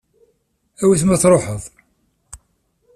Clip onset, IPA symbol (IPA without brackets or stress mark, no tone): æ